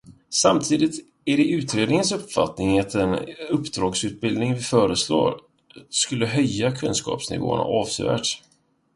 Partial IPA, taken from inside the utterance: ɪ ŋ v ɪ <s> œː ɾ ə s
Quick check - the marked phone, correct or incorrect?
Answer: incorrect: f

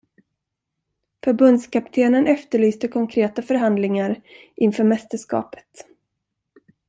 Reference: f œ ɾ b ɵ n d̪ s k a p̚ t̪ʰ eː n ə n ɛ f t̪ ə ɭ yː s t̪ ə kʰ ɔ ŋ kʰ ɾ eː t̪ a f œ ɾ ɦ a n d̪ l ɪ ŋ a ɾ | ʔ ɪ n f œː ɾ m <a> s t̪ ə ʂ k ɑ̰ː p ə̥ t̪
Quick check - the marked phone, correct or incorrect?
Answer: incorrect: ɛ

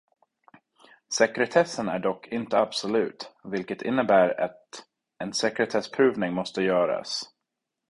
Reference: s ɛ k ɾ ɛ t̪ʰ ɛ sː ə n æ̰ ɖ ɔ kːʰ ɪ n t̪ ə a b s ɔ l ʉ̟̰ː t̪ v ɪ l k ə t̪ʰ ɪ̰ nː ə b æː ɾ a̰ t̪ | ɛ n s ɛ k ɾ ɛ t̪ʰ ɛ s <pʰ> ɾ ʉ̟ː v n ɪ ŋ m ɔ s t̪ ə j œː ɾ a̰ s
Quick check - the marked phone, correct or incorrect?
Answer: correct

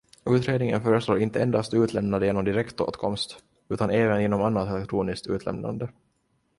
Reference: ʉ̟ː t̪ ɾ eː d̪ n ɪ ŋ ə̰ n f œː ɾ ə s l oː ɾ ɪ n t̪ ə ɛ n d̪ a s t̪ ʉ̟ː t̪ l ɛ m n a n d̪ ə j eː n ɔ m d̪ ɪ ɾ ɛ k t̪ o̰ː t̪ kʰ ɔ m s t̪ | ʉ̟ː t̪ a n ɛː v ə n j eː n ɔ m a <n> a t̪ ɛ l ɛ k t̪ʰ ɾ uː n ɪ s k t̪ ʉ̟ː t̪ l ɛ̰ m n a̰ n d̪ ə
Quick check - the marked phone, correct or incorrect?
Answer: incorrect: nː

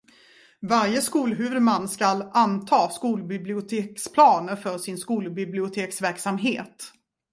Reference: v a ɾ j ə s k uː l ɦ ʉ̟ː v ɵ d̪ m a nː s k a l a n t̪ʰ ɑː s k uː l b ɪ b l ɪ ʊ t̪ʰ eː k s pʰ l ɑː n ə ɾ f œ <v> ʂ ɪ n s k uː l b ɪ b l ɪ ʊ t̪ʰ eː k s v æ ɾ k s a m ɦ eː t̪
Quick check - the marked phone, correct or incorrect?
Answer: incorrect: none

